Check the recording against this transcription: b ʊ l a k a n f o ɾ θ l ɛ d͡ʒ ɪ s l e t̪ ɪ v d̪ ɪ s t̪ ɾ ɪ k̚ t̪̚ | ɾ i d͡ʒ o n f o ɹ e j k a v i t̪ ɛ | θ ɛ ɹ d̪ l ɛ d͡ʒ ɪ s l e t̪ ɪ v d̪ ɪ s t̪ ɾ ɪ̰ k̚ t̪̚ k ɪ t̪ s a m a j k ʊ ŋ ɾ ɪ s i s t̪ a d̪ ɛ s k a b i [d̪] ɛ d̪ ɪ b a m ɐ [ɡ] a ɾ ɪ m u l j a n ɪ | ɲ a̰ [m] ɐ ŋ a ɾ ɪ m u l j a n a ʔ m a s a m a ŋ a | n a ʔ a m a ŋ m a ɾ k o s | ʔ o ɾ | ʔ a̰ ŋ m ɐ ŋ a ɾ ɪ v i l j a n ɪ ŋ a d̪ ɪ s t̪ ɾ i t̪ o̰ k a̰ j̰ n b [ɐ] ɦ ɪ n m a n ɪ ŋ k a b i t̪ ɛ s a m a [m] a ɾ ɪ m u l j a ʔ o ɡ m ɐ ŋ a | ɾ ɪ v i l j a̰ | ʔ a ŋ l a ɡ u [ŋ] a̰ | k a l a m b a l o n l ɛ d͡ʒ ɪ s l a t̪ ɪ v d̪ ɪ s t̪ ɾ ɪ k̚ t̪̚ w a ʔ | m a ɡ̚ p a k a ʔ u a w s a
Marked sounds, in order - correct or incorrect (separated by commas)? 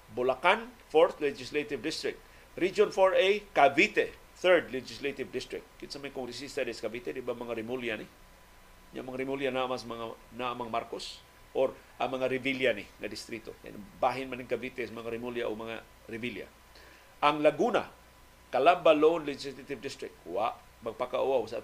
incorrect, incorrect, correct, incorrect, incorrect, incorrect